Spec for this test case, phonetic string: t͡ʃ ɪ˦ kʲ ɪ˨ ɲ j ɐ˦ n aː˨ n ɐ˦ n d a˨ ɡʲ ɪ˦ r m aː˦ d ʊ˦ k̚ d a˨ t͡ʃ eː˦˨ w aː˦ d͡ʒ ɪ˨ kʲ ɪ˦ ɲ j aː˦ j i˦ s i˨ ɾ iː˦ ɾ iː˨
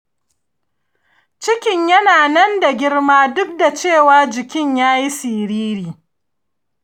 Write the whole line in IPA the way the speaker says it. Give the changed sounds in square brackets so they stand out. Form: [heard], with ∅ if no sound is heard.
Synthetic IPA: t͡ʃ ɪ˦ kʲ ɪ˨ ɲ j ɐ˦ n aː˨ n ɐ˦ n d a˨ ɡʲ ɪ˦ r m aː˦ d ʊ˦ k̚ d a˨ t͡ʃ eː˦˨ w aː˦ d͡ʒ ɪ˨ kʲ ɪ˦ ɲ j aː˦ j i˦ s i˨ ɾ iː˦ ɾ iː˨

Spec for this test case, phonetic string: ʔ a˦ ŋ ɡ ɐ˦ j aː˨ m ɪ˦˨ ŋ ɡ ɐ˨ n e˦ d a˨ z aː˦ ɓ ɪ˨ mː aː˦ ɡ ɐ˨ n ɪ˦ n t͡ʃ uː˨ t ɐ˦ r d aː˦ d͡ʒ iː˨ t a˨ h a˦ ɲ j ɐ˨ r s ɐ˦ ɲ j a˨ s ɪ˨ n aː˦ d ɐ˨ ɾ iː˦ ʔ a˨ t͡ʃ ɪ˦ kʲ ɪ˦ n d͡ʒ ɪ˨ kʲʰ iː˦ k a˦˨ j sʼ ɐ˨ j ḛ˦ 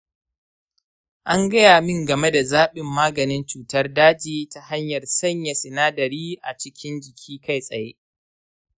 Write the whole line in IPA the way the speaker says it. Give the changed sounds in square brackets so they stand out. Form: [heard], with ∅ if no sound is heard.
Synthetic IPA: ʔ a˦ ŋ ɡ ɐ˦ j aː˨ m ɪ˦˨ ŋ ɡ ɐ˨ [m] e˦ d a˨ z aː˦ ɓ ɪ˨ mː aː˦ ɡ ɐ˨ n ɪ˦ n t͡ʃ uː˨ t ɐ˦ r d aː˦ d͡ʒ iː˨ t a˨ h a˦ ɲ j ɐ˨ r s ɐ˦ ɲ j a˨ s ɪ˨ n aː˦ d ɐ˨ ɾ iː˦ ʔ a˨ t͡ʃ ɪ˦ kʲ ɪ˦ n d͡ʒ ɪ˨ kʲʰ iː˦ k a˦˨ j sʼ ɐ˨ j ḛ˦

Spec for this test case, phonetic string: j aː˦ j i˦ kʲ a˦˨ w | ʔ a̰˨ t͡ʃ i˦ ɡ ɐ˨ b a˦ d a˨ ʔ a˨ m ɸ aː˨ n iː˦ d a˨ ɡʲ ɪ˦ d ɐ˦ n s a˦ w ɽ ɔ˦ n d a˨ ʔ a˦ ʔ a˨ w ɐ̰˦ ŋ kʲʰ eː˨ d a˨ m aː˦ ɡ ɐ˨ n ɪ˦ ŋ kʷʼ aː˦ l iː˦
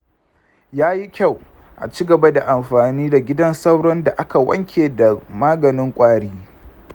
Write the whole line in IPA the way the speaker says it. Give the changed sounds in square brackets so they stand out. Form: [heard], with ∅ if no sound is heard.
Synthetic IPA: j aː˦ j i˦ kʲ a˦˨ w | ʔ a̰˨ t͡ʃ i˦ ɡ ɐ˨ b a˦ d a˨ ʔ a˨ m ɸ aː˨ n iː˦ d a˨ ɡʲ ɪ˦ d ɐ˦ n s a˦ w ɽ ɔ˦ n d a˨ ʔ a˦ [k] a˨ w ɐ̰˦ ŋ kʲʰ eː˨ d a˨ m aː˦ ɡ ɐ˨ n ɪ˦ ŋ kʷʼ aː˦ [ɽ] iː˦

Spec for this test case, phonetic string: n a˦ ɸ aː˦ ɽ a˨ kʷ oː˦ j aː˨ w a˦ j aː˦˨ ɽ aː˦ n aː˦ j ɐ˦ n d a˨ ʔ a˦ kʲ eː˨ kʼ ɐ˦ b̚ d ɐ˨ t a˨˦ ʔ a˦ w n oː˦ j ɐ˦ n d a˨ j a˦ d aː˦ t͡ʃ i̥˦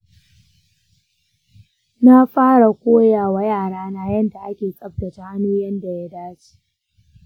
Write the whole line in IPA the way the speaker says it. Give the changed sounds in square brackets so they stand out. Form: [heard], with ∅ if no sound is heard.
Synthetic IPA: n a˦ ɸ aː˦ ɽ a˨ kʷ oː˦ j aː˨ w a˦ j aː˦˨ ɽ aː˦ n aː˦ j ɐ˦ n d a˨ ʔ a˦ kʲ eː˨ kʼ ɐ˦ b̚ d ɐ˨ t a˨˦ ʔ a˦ [∅] n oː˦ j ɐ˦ n d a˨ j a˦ d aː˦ t͡ʃ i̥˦

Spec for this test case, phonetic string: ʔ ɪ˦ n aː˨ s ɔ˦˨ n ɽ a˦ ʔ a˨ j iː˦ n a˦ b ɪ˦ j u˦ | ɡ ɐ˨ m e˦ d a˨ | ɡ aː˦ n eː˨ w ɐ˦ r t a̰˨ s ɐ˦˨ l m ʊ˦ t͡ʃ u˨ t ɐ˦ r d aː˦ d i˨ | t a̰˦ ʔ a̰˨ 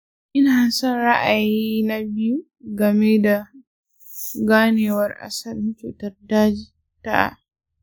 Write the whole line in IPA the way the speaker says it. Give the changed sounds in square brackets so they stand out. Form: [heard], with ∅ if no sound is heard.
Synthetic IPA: ʔ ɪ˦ n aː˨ s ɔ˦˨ n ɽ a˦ ʔ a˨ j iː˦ n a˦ b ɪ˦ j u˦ | ɡ ɐ˨ m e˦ d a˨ | ɡ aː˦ n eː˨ w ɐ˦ r [ʔ] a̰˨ s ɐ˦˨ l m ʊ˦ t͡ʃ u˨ t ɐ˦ r d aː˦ [d͡ʒ] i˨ | t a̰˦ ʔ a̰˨

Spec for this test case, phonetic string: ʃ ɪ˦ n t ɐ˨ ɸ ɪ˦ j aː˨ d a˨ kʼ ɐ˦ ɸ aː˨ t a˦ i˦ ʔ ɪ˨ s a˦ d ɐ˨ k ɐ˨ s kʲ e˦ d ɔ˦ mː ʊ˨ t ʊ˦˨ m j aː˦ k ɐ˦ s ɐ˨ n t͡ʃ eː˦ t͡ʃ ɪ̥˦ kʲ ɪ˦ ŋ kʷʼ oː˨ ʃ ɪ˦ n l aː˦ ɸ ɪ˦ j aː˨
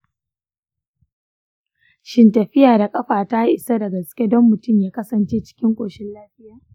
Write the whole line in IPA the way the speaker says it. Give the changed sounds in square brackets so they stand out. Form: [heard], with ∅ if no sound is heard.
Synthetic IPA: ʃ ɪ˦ n t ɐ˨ ɸ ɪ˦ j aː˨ d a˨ kʼ ɐ˦ ɸ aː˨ t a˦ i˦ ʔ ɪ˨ s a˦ d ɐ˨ [ɡ] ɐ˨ s kʲ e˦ d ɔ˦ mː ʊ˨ t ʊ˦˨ m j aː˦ k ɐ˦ s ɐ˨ n t͡ʃ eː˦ t͡ʃ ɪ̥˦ kʲ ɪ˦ ŋ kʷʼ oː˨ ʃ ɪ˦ n l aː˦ ɸ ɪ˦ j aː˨

